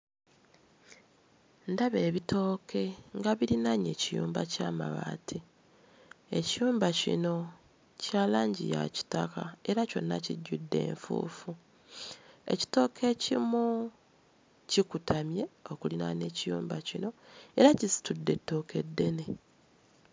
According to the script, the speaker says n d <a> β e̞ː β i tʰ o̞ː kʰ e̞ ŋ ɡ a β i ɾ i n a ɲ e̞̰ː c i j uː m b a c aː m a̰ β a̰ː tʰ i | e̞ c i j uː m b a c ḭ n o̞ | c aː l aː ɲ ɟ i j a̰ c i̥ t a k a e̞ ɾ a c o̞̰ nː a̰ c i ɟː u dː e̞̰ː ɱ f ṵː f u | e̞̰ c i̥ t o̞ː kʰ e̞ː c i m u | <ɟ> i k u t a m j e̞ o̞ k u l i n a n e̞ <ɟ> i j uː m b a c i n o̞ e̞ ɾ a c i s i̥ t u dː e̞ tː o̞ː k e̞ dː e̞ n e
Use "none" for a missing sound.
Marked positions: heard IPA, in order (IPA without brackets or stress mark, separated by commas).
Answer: a, c, c